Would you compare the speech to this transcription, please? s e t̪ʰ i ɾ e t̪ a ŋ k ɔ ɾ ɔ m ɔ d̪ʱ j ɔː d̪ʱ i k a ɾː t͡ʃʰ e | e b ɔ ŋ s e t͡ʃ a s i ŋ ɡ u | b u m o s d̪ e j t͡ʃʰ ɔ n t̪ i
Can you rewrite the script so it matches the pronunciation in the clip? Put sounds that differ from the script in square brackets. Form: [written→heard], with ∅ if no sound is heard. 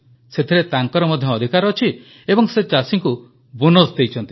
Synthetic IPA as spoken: s e t̪ʰ i ɾ e t̪ a ŋ k ɔ ɾ ɔ m ɔ d̪ʱ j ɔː d̪ʱ i k a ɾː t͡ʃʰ [e→i] | e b ɔ ŋ s e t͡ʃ a s i ŋ [ɡ→k] u | b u [m→n] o s d̪ e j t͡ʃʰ ɔ n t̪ i